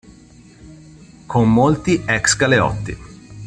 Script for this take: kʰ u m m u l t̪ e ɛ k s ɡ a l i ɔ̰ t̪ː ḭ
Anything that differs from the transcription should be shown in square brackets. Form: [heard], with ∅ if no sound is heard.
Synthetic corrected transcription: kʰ [o] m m [o] l t̪ [i] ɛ k s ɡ a l [e] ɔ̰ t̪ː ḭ

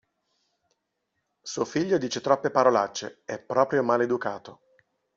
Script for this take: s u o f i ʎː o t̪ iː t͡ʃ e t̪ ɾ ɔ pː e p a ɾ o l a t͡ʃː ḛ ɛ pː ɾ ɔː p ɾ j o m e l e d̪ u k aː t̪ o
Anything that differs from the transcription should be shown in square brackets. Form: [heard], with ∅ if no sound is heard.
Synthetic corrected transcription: s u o f i ʎː o [d̪] iː t͡ʃ e t̪ ɾ ɔ pː e p a ɾ o l a t͡ʃː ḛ ɛ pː ɾ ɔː p ɾ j o m [a] l e d̪ u k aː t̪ o

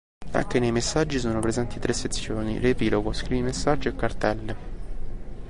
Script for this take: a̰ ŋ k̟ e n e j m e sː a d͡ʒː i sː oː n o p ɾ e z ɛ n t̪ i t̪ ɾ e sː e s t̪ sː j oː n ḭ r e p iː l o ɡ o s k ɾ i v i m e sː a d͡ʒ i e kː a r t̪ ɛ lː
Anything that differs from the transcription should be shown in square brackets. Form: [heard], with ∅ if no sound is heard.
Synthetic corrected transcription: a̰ ŋ k̟ e n e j m e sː a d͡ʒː i [s] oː n o p ɾ e z ɛ n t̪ i t̪ ɾ e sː e [∅] t̪ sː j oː n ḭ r e p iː l o ɡ o s k ɾ i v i m e sː a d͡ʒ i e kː a r t̪ ɛ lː

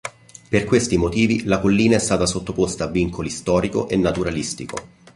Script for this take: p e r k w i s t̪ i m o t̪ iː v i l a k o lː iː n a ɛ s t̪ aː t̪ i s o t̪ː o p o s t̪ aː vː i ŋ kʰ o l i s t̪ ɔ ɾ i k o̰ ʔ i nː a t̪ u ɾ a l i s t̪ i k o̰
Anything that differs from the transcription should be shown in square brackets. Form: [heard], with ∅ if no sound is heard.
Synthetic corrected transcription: p e r k w [e] s t̪ i m o t̪ iː v i l a k o lː iː n a ɛ s t̪ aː t̪ [a] s o t̪ː o p o s t̪ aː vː i ŋ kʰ o l i s t̪ [ɔː] ɾ i k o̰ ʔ [e] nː a t̪ u ɾ a l i s t̪ i k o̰

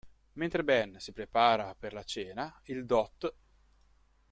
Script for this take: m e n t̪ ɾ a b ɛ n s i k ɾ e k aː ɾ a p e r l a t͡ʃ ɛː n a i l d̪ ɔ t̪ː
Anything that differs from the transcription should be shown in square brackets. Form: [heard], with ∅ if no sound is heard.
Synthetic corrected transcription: m e n t̪ ɾ [e] b ɛ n s i [p] ɾ e [p] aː ɾ a p e r l a t͡ʃ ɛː n a i l d̪ ɔ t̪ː

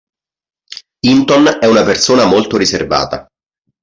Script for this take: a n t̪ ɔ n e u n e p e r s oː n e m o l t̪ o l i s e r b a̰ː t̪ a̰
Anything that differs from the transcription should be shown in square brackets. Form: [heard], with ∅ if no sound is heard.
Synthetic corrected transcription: [i] n t̪ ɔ n [ɛ] u n [a] p e r s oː n [a] m o l t̪ o [ɾ] i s e r [v] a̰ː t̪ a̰

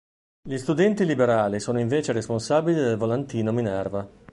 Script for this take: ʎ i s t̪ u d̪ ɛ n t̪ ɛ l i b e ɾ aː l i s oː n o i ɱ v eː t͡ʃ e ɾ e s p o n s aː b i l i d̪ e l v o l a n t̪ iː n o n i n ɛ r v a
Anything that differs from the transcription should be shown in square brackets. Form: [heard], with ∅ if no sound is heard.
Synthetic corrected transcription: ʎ i s t̪ u d̪ ɛ n t̪ [i] l i b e ɾ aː l i s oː n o i ɱ v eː t͡ʃ e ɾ e s p o n s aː b i l i d̪ e l v o l a n t̪ iː n o [m] i n ɛ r v a

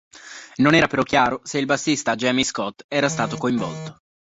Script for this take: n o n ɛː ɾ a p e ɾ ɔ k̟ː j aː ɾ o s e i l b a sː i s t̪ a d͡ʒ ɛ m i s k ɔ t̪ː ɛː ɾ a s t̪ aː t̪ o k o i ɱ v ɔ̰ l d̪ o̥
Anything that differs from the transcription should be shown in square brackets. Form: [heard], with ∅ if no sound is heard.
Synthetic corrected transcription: n o n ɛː ɾ a p e ɾ ɔ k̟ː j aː ɾ o s e i l b a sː i s t̪ a d͡ʒ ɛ m i s k ɔ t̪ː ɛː ɾ a s t̪ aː t̪ o k o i ɱ v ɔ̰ l [t̪] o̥

